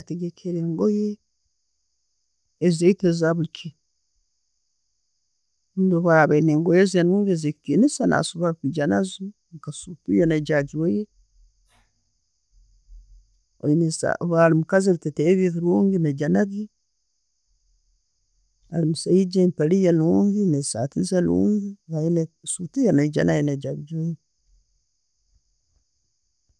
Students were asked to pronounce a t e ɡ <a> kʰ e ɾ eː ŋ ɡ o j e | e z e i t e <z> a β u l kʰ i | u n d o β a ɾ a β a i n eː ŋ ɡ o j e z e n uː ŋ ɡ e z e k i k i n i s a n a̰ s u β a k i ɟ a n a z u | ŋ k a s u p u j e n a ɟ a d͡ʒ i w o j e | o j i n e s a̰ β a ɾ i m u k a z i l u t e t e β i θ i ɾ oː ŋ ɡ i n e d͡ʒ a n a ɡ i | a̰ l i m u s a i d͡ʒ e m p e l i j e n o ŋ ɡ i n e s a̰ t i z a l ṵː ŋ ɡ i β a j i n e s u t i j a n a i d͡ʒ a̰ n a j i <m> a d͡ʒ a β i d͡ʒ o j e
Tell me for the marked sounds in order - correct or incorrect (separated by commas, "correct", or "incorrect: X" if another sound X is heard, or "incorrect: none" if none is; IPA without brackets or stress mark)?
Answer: incorrect: e, correct, incorrect: n